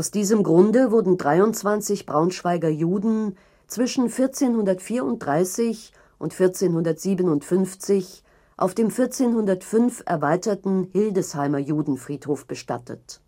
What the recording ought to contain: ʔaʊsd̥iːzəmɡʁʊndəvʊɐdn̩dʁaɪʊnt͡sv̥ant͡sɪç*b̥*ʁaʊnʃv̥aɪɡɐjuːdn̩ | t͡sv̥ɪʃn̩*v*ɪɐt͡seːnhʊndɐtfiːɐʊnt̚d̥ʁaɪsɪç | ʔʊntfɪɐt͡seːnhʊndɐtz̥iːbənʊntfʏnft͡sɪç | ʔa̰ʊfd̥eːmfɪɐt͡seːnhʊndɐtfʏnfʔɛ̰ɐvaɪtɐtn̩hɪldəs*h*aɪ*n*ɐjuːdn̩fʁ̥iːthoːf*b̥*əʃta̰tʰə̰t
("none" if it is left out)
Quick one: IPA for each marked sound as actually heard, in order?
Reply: b̥, f, h, m, b̥

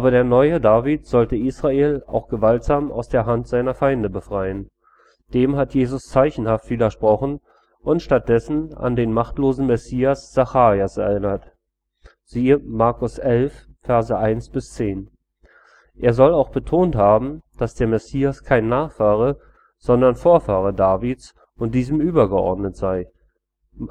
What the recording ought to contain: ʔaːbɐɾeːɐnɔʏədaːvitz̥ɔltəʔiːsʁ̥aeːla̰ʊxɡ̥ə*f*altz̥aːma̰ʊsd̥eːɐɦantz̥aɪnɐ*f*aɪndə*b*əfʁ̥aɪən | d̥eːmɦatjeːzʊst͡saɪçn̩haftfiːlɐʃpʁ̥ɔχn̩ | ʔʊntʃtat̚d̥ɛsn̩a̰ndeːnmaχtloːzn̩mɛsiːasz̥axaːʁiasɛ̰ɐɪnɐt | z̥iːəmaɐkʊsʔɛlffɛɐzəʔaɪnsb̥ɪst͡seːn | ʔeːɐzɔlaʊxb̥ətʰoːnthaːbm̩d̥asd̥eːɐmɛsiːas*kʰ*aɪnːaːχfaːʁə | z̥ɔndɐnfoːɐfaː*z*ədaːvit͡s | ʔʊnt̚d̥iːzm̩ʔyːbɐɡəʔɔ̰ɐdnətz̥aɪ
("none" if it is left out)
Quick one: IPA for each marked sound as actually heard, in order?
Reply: v, f, b, kʰ, ʁ

